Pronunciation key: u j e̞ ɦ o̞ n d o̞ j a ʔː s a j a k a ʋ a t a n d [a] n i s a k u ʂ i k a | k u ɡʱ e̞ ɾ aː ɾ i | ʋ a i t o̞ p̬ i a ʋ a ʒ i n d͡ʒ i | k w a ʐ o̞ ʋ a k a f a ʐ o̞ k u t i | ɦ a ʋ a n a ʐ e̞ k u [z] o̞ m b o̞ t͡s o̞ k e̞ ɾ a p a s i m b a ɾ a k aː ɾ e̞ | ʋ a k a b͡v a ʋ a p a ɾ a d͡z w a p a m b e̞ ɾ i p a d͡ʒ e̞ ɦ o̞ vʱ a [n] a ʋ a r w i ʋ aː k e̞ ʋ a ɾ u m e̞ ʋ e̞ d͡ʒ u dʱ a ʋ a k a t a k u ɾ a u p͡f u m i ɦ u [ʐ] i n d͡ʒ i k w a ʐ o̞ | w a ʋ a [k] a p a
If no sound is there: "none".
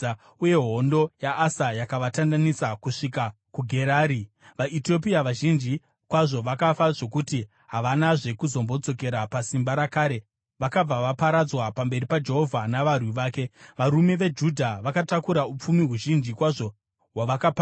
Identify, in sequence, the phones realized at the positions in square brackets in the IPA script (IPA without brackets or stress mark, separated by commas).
a, z, n, ʒ, k